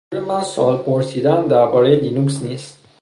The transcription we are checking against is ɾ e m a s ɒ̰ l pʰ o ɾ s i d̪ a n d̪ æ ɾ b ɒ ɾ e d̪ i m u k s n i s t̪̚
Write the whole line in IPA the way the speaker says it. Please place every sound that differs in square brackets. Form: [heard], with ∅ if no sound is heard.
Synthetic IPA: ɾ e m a s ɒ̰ l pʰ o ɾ s i d̪ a n d̪ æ ɾ b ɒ ɾ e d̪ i [n] u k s n i s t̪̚